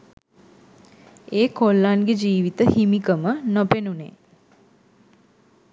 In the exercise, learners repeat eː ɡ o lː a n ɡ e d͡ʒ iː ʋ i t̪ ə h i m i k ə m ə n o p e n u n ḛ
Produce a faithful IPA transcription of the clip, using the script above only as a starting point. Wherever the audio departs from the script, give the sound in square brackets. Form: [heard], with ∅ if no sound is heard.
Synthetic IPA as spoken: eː [k] o lː a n ɡ e d͡ʒ iː ʋ i t̪ ə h i m i k ə m ə n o p e n u n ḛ